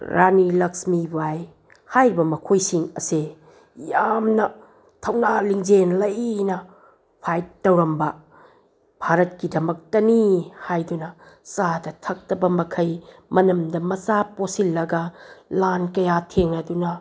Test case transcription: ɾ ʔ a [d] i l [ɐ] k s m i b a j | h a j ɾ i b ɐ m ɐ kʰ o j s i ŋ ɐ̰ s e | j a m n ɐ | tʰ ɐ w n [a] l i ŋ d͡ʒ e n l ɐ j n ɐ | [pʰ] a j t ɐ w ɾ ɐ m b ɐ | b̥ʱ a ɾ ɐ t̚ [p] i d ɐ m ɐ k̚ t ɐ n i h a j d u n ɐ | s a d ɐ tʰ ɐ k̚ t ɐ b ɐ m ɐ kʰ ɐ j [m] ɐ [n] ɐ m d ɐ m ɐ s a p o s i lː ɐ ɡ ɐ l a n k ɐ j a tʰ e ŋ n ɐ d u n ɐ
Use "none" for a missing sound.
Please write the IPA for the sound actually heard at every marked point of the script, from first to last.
n, ɐ, a, pʰ, k, m, n

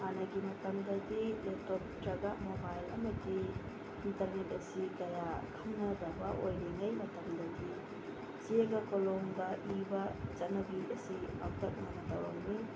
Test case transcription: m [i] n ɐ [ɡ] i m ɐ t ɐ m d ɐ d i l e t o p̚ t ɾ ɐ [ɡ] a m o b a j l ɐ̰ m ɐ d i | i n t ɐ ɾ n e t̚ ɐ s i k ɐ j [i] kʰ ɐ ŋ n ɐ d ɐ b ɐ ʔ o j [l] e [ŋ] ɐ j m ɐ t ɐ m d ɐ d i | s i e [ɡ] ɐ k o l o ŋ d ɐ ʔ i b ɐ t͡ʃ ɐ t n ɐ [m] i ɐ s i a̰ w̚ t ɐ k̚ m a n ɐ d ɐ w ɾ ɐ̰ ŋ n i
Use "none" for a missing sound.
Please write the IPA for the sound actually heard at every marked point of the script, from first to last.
a, ɡ, ɡ, a, l, ŋ, ɡ, b

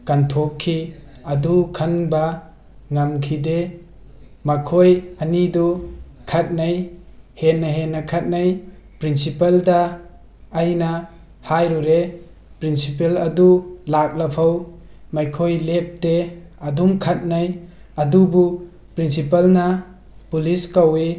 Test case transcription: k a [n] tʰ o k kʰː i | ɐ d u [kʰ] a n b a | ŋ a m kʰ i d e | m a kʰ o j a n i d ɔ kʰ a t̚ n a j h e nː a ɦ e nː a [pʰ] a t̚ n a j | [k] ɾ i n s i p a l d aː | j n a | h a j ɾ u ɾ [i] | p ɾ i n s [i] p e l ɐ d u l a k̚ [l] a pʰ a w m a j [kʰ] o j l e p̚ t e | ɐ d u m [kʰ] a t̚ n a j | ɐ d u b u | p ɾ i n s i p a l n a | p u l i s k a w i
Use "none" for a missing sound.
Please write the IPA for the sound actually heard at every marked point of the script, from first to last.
n, kʰ, kʰ, p, e, i, l, kʰ, kʰ

